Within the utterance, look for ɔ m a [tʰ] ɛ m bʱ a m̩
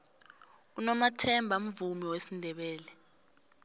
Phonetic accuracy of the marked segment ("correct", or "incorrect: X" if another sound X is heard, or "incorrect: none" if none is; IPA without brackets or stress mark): correct